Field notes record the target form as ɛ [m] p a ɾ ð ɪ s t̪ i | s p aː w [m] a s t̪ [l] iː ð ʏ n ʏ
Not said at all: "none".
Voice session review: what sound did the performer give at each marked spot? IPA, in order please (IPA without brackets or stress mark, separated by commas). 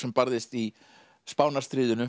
m, n, ɾ